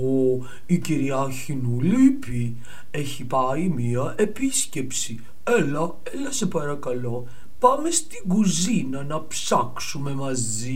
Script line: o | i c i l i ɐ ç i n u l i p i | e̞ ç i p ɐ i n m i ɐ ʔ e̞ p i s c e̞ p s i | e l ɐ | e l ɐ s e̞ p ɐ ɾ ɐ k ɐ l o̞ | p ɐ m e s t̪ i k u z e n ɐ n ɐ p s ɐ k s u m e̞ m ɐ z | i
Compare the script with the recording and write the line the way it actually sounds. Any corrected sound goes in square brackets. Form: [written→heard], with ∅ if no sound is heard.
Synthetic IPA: o | i c i [l→ɾ] i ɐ ç i n u l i p i | e̞ ç i p ɐ i [n→∅] m i ɐ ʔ e̞ p i s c e̞ p s i | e l ɐ | e l ɐ s e̞ p ɐ ɾ ɐ k ɐ l o̞ | p ɐ m e s t̪ i [k→ɡ] u z [e→i] n ɐ n ɐ p s ɐ k s u m e̞ m ɐ z | i